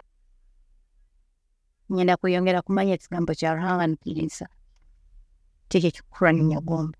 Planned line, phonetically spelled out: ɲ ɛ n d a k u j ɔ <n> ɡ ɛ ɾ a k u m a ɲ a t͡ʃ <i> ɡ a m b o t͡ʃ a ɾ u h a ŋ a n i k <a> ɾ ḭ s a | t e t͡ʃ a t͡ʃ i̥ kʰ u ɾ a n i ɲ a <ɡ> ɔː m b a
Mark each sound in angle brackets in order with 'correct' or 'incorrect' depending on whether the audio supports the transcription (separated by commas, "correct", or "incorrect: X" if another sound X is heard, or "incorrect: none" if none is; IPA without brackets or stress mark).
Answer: incorrect: ŋ, correct, incorrect: i, correct